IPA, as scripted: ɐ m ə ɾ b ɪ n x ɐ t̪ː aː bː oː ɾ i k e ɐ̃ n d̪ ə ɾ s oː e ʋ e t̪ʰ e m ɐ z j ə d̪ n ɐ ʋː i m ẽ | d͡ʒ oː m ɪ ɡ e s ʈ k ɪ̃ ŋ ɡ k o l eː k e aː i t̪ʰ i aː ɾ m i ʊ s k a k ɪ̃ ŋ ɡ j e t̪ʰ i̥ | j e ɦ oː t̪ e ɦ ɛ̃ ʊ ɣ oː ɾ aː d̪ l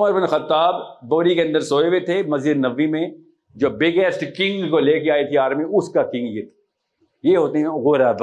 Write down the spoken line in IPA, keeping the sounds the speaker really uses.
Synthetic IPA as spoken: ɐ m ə ɾ b ɪ n x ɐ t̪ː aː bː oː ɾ i k e ɐ̃ n d̪ ə ɾ s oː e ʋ e t̪ʰ e m ɐ z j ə d̪ n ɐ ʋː i m ẽ | d͡ʒ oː b ɪ ɡ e s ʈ k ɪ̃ ŋ ɡ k o l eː k e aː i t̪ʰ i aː ɾ m i ʊ s k a k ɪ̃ ŋ ɡ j e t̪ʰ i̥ | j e ɦ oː t̪ e ɦ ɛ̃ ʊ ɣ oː ɾ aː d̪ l